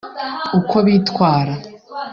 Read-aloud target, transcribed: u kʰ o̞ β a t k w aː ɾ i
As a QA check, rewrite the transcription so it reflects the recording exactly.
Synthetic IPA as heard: u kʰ o̞ β i t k w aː ɾ a

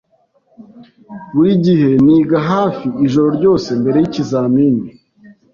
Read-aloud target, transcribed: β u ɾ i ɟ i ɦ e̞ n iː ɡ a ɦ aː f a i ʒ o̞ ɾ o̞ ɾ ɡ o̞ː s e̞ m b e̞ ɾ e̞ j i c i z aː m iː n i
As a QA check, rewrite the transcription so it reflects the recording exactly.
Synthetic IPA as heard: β u ɾ i ɟ i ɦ e̞ n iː ɡ a ɦ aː f i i ʒ o̞ ɾ o̞ ɾ ɟ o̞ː s e̞ m b e̞ ɾ e̞ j i c i z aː m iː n i

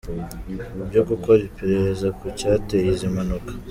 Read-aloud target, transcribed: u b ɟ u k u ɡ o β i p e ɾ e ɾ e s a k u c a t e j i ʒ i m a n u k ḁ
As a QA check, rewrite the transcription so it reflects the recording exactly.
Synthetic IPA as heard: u b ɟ o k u k o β i p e ɾ e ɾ e z a k u c a t e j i z i m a n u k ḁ

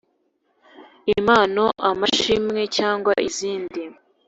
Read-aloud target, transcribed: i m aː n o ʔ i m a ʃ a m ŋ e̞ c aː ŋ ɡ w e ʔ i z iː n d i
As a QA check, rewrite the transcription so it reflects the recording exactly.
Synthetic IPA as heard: i m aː n o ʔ a m a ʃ i m ŋ e̞ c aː ŋ ɡ w a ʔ i z iː n d i

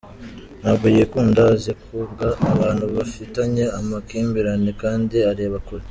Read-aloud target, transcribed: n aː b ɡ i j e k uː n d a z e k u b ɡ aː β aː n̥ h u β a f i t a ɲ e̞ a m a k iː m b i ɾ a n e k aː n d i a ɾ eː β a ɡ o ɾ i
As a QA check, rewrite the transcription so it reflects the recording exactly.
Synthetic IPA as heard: n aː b ɡ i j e k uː n d a z e k u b ɡ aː β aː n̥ h u β a f i t a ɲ e̞ a m a k iː m b i ɾ a n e k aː n d i a ɾ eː β a k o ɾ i

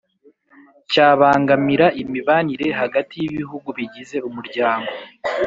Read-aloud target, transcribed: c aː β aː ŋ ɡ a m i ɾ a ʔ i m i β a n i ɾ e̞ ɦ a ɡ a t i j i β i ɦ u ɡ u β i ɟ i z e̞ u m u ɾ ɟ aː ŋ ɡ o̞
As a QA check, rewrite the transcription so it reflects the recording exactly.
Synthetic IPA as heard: c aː β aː ŋ ɡ a m i ɾ a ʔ i m i β a n i ɾ e̞ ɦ a ɡ a t i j i β i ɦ u ɡ u β i ɟ i z e̞ u m u ɾ ɟ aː ŋ ɡ o̞

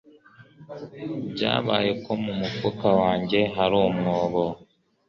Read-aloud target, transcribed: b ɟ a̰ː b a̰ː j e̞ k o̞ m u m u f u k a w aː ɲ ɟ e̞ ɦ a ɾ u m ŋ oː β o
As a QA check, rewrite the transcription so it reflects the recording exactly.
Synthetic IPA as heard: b ɟ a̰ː β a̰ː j e̞ k o̞ m u m u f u k a w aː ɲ ɟ e̞ ɦ a ɾ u m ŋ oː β o

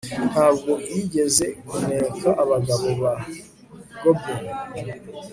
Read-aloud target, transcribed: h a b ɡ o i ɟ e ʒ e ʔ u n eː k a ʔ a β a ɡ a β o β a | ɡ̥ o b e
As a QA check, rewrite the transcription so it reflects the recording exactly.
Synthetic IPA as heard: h a b ɡ o i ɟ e z e k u n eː k a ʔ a β a ɡ a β o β a | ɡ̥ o b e

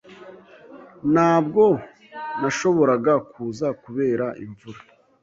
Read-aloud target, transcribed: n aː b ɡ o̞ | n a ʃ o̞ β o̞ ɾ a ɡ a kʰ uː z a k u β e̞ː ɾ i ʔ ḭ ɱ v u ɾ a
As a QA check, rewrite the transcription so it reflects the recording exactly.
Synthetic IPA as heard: n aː b ɡ o̞ | n a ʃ o̞ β o̞ ɾ a ɡ a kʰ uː z a k u β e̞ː ɾ a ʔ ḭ ɱ v u ɾ a

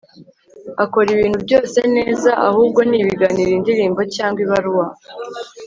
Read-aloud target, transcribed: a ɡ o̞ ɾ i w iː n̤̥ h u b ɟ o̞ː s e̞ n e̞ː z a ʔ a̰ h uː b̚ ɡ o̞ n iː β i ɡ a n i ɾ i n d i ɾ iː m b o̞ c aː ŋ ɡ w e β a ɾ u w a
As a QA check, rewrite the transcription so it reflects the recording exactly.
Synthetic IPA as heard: a k o̞ ɾ i β iː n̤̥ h u b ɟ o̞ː s e̞ n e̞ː z a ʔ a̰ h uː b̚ ɡ o̞ n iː β i ɡ a n i ɾ i n d i ɾ iː m b o̞ c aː ŋ ɡ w i β a ɾ u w a

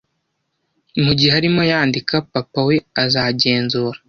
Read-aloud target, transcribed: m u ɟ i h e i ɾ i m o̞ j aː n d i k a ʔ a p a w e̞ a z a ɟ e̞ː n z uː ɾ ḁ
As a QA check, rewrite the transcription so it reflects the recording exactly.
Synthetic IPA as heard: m u ɟ i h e a ɾ i m o̞ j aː n d i k a p a p a w e̞ a z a ɟ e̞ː n z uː ɾ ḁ

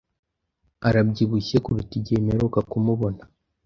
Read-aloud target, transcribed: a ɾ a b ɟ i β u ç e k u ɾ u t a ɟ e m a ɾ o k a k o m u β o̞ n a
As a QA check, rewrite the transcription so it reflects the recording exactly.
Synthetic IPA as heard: a ɾ a b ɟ i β u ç e k u ɾ u t i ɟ e m e ɾ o k a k u m u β o̞ n a

